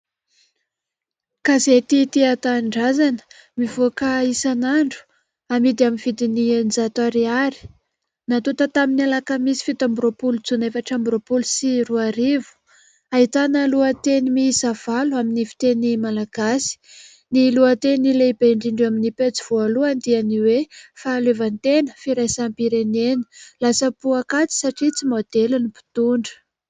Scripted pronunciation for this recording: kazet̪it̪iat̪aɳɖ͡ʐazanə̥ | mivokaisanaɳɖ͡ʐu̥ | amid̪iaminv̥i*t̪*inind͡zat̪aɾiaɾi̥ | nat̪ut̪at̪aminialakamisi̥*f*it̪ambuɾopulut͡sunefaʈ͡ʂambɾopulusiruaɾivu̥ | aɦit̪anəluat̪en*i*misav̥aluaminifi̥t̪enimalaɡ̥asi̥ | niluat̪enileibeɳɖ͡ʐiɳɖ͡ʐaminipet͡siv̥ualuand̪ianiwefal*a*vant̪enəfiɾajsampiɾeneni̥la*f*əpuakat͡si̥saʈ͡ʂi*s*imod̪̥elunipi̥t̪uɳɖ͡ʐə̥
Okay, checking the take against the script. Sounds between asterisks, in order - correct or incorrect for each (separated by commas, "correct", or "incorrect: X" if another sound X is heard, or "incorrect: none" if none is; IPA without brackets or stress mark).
incorrect: d̪, correct, correct, incorrect: e, incorrect: s, incorrect: t͡s